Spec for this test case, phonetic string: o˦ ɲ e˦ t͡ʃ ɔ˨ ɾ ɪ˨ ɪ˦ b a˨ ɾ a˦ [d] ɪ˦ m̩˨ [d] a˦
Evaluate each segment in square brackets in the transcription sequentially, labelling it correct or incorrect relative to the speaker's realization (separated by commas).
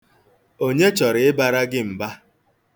incorrect, incorrect